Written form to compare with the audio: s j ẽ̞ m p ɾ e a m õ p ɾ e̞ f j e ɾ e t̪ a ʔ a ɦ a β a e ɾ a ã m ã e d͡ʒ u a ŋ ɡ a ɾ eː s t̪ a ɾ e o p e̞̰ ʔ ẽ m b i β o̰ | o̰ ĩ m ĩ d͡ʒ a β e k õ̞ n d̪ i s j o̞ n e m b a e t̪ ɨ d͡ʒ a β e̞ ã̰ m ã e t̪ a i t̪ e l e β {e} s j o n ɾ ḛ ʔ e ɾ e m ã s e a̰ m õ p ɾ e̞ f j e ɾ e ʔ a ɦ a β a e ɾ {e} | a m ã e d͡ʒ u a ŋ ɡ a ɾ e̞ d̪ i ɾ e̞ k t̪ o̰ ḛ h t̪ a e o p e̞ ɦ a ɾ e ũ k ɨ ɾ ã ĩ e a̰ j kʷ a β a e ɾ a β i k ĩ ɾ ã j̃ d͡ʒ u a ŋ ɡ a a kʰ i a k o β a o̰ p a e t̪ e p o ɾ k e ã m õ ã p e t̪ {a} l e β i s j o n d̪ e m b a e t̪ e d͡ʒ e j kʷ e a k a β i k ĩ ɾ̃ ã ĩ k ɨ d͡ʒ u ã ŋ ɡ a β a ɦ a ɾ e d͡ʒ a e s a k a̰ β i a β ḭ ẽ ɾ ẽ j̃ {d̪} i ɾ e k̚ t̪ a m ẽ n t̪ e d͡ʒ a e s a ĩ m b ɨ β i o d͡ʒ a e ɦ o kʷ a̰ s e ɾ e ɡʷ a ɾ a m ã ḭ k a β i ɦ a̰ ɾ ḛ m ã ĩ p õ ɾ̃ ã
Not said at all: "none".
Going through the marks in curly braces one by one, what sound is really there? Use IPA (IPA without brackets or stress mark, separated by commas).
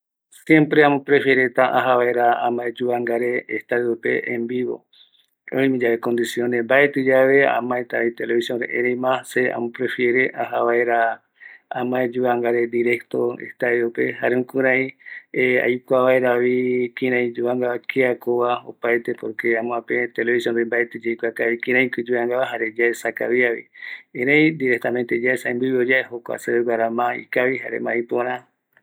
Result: i, a, e, d̪